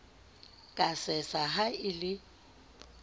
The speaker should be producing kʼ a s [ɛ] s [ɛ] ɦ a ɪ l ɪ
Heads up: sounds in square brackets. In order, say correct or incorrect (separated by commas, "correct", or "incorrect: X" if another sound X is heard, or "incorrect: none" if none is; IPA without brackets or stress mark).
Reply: correct, incorrect: a